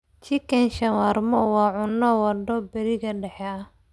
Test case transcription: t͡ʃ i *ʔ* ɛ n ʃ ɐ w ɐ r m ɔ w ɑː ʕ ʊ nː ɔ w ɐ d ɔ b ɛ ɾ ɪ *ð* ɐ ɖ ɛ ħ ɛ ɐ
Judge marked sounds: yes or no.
no, no

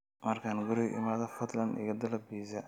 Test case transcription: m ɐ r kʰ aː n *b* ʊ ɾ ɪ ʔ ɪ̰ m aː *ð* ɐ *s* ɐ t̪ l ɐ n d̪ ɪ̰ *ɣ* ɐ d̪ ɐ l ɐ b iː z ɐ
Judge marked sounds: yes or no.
no, yes, no, yes

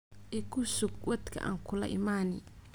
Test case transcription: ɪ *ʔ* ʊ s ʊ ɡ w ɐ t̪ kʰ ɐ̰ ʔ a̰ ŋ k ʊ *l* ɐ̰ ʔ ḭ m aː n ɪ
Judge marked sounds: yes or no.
no, yes

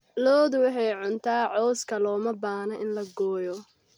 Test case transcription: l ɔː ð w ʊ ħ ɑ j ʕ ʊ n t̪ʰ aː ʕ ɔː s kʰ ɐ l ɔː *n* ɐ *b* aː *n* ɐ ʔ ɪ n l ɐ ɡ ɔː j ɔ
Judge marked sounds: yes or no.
no, yes, yes

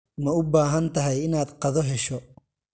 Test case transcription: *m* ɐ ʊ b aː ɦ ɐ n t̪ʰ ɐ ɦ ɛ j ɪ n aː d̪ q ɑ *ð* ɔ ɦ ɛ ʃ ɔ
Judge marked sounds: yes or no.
yes, yes

